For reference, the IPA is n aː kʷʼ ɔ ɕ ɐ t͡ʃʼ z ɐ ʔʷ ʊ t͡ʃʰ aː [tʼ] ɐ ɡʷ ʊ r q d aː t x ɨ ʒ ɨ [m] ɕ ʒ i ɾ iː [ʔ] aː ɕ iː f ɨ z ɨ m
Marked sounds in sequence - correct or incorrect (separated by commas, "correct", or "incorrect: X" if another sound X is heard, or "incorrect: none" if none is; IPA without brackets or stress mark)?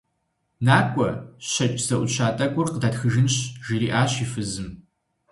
correct, incorrect: n, correct